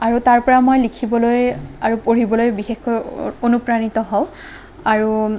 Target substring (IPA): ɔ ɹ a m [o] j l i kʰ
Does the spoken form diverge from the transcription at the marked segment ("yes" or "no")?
no